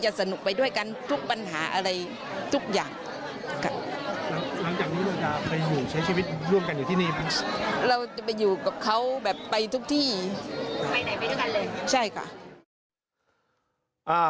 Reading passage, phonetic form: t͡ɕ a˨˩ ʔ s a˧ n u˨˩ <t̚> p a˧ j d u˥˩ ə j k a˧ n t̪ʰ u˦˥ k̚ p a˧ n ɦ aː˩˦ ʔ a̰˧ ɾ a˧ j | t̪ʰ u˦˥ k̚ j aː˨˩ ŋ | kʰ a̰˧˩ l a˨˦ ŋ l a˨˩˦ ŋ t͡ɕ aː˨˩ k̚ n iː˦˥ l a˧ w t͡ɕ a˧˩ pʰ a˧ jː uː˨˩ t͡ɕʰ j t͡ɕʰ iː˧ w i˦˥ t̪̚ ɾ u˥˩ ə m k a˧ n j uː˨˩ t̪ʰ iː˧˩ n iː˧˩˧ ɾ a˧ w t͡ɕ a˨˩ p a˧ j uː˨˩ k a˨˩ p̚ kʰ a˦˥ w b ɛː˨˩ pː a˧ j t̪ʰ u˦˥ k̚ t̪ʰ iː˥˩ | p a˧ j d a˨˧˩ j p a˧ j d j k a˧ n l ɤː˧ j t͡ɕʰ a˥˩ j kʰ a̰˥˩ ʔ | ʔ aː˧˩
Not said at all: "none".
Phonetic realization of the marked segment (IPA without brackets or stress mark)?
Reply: k̚